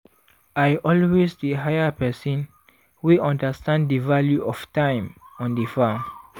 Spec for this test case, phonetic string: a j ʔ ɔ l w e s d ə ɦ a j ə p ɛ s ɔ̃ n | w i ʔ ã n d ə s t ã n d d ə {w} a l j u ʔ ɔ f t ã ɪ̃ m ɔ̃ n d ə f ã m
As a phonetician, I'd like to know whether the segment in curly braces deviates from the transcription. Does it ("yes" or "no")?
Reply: yes